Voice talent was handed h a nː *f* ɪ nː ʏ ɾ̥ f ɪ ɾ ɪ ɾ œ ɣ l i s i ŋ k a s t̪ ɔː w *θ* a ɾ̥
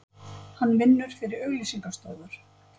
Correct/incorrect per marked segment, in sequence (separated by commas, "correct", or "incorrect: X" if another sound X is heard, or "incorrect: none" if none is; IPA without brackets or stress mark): incorrect: v, incorrect: ð